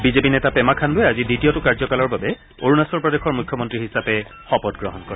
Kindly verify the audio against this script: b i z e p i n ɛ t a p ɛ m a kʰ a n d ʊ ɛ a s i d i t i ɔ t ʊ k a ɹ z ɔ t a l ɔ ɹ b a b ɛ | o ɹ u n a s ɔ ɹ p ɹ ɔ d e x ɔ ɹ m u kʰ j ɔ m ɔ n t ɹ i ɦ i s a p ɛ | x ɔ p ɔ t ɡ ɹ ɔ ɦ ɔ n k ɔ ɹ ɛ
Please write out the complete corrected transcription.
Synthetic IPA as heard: b i z e p i n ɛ t a p ɛ m a kʰ a n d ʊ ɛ a z i d i t i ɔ t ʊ k a ɹ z ɔ k a l ɔ ɹ b a b ɛ | o ɹ u n a s ɔ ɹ p ɹ ɔ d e x ɔ ɹ m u kʰ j ɔ m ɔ n t ɹ i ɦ i s a p ɛ | x ɔ p ɔ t ɡ ɹ ɔ ɦ ɔ n k ɔ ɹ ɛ